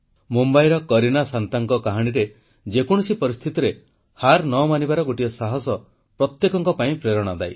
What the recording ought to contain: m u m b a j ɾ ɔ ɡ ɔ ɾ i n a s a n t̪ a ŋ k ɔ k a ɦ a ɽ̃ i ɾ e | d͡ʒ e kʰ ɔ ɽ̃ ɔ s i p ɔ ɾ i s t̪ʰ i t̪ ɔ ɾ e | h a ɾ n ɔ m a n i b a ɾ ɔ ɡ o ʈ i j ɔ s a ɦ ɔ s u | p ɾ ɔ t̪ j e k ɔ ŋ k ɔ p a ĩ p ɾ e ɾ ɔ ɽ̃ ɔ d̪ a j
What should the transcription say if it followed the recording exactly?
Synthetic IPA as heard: m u m b a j ɾ ɔ k ɔ ɾ i n a s a n t̪ a ŋ k ɔ k a ɦ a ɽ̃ i ɾ e | d͡ʒ e k ɔ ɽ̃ ɔ s i p ɔ ɾ i s t̪ʰ i t̪ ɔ ɾ e | h a ɾ n ɔ m a n i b a ɾ ɔ ɡ o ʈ i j ɔ s a ɦ ɔ s ɔ | p ɾ ɔ t̪ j e k ɔ ŋ k ɔ p a ĩ p ɾ e ɾ ɔ ɽ̃ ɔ d̪ a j